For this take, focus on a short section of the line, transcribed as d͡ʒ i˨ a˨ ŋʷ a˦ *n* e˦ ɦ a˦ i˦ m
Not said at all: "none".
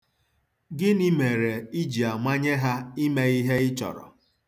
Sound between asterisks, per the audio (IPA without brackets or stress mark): ɲ